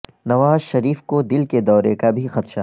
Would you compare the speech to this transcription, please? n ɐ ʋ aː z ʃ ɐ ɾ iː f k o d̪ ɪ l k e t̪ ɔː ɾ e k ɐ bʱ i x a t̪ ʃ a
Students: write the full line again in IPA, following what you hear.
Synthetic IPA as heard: n ɐ ʋ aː z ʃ ɐ ɾ iː f k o d̪ ɪ l k e d̪ ɔː ɾ e k a bʱ i x ɐ t̪ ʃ a